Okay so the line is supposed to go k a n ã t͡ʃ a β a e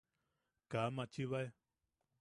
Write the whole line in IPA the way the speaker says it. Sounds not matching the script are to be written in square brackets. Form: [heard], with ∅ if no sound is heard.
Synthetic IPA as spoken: k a [m] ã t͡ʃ [i] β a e